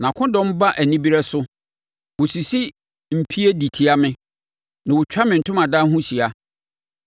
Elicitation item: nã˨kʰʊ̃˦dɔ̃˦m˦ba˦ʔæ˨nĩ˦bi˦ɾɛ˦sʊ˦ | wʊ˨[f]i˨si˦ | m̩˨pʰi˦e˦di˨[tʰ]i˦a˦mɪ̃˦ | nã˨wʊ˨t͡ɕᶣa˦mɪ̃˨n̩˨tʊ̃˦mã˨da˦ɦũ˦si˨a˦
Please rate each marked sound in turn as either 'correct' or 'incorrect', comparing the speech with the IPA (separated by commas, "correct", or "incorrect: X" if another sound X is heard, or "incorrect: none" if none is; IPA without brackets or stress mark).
incorrect: s, correct